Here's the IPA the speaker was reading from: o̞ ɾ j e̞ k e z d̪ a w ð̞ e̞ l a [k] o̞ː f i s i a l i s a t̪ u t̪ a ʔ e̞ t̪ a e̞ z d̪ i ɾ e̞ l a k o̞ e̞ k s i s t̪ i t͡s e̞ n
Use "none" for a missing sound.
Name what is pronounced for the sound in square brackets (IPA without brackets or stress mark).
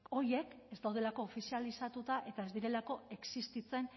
k